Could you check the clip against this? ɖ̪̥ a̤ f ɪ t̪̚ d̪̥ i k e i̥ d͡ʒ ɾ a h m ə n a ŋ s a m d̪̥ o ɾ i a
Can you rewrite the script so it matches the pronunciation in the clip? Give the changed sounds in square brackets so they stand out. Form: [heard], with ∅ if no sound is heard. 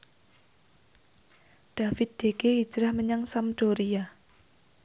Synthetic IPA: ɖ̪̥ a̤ f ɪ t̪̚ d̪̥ [e] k e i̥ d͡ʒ ɾ a h m ə [ɲ] a ŋ s a m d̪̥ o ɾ i a